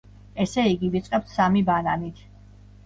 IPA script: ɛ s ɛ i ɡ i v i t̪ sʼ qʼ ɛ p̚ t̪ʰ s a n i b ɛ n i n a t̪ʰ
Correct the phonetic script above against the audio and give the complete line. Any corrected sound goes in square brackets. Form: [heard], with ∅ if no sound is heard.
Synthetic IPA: ɛ s ɛ i ɡ i v i t̪ sʼ qʼ ɛ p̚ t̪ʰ s a [m] i b [a] n [a] n [i] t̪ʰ